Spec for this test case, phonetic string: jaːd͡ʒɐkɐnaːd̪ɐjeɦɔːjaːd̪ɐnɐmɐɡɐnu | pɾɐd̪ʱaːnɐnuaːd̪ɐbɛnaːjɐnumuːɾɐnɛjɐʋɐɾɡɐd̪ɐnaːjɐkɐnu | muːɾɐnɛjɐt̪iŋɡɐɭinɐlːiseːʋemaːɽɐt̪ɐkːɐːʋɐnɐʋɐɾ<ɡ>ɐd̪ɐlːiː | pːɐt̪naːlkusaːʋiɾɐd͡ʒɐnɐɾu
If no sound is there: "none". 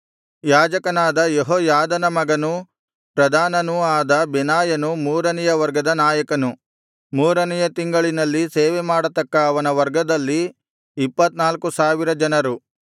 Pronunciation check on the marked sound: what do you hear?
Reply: ɡ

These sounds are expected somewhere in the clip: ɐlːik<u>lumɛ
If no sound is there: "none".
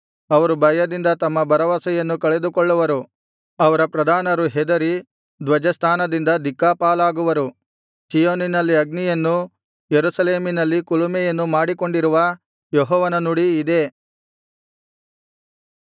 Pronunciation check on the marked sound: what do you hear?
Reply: u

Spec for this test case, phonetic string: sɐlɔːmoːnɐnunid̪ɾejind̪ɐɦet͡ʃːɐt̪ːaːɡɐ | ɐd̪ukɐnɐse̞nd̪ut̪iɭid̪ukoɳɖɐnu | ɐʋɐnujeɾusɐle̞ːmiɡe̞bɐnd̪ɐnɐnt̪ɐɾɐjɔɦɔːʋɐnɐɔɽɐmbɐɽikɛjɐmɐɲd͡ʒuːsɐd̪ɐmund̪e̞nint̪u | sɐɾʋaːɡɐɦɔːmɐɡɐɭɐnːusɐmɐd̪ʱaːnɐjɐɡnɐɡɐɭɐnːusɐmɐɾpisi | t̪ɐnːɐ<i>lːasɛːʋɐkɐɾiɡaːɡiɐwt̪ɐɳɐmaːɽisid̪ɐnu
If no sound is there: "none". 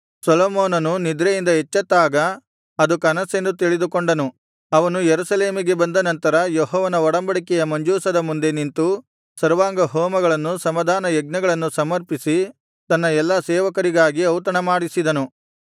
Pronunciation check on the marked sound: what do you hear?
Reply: ɛ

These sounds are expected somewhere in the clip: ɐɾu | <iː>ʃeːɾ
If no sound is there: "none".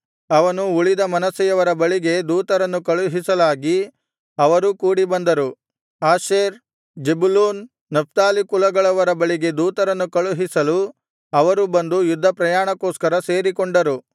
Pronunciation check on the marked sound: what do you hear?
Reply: aː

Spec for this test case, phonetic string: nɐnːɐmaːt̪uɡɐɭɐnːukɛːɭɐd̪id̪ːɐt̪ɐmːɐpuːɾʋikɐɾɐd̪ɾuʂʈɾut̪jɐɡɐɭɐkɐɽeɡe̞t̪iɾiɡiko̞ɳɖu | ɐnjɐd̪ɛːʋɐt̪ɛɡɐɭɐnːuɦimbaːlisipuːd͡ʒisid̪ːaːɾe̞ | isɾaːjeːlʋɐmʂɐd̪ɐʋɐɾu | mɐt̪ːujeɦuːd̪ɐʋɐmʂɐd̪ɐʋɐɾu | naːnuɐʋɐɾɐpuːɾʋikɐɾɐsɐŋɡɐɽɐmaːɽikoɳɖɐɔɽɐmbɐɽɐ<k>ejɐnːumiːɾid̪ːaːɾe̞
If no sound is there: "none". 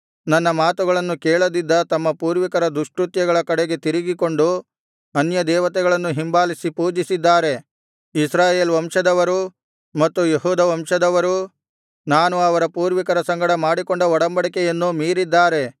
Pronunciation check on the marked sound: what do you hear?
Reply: k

